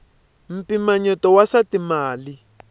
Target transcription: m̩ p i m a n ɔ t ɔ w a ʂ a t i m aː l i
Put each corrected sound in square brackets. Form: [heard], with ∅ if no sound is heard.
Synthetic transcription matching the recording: m̩ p i m a [ɲ] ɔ t ɔ w a [s] a t i m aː l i